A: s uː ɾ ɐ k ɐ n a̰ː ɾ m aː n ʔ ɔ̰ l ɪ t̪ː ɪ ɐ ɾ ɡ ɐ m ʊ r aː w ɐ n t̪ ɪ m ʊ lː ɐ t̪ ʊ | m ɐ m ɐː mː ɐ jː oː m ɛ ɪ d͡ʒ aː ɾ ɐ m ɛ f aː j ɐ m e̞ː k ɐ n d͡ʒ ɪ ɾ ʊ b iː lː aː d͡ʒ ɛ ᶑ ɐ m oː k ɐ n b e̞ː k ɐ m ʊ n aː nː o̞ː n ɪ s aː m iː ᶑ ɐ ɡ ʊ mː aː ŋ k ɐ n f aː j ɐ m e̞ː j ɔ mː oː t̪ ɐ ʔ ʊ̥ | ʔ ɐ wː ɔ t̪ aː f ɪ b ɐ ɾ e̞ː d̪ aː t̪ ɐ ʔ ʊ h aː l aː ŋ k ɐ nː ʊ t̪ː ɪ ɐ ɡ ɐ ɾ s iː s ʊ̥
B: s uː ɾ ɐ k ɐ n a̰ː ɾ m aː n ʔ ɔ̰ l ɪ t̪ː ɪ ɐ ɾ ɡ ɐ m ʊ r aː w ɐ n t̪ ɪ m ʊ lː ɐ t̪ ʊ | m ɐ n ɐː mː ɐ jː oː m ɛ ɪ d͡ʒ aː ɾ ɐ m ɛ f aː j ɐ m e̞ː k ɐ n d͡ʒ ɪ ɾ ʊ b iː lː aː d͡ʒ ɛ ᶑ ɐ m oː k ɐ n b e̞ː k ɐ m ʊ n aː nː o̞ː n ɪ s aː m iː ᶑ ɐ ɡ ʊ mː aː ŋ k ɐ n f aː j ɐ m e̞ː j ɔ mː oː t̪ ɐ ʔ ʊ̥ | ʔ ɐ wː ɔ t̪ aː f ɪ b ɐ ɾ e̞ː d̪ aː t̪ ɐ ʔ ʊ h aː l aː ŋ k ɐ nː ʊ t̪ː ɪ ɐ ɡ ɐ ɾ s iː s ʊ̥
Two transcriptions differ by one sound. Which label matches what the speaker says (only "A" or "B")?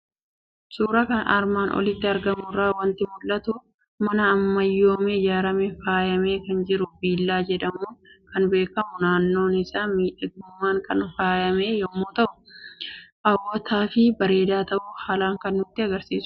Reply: B